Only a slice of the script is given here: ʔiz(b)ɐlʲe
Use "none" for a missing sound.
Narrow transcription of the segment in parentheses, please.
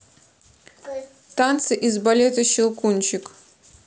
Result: b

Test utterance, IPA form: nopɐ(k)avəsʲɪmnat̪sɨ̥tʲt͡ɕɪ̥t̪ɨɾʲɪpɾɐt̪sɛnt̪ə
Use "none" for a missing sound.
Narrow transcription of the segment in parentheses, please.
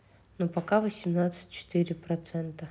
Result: k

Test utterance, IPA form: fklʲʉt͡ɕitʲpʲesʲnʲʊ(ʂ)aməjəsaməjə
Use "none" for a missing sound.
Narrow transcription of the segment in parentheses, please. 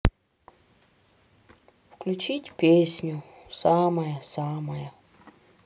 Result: s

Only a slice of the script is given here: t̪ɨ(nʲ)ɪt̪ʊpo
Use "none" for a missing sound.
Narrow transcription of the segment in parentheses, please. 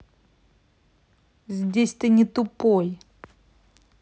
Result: nʲ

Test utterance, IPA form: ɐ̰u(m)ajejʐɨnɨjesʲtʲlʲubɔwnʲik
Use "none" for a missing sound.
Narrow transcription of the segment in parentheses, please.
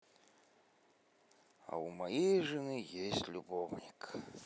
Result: m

